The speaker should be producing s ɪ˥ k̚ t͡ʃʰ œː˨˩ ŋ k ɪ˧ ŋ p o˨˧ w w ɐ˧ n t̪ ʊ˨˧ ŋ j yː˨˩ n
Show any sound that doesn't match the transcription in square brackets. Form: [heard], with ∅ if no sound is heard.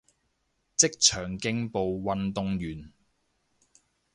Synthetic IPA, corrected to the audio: [t͡s] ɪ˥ k̚ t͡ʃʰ œː˨˩ ŋ k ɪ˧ ŋ p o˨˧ w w ɐ˧ n t̪ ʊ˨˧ ŋ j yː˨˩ n

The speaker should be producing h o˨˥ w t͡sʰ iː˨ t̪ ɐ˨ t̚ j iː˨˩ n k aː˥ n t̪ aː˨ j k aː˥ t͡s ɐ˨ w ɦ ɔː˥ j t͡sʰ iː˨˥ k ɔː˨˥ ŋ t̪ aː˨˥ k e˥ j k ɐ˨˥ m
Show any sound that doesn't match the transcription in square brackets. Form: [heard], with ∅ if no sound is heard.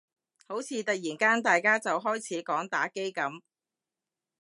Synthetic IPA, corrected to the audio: h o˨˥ w t͡sʰ iː˨ t̪ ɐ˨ [k̚] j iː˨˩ n k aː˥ n t̪ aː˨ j k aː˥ t͡s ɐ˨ w ɦ ɔː˥ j t͡sʰ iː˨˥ k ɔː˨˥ ŋ t̪ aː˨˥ k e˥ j k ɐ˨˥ m

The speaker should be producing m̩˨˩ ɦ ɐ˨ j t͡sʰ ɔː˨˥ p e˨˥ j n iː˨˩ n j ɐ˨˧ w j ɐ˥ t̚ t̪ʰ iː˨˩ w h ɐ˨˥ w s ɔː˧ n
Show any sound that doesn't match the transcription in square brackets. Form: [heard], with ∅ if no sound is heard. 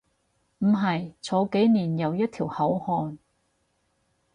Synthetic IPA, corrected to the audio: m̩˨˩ ɦ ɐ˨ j t͡sʰ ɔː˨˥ [k] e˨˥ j n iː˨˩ n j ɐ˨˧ w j ɐ˥ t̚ t̪ʰ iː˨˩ w h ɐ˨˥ w [h] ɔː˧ n

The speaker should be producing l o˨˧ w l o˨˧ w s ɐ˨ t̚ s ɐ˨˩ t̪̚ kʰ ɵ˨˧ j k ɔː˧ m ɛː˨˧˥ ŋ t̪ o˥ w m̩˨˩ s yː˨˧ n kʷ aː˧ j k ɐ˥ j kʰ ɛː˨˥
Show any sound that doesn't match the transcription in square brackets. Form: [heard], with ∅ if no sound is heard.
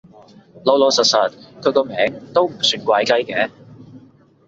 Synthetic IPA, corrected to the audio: l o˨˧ w l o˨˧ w s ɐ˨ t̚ s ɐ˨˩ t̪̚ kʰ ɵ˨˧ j k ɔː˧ m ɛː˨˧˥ ŋ t̪ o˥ w m̩˨˩ s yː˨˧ n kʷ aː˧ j k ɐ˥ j [k] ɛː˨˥

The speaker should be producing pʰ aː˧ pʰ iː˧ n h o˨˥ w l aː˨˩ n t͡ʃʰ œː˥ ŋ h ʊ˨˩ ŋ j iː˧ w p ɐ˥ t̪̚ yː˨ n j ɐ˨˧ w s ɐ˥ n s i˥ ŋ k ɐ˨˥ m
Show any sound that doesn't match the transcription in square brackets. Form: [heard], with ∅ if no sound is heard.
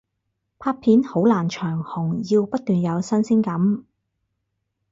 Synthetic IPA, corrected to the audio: pʰ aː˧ pʰ [iː˨˥] n h o˨˥ w l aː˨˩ n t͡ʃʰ [œː˨˩] ŋ h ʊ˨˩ ŋ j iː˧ w p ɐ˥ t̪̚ yː˨ n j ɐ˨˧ w s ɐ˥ n s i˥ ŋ k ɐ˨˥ m

